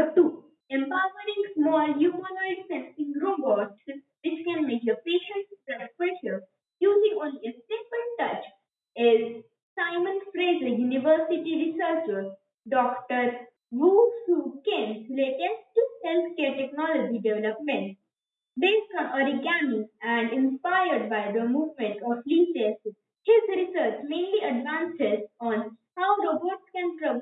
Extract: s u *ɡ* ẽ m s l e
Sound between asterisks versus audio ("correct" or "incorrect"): incorrect